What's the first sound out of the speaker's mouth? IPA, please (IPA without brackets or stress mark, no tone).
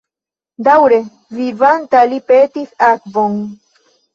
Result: d̪